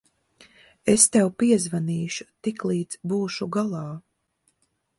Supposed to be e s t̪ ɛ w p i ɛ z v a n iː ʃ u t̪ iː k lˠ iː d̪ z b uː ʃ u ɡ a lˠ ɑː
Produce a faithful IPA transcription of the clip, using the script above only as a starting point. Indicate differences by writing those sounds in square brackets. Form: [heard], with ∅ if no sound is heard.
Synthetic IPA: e s t̪ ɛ w p i ɛ z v a n iː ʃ u t̪ [i] k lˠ iː d̪ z b uː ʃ u ɡ a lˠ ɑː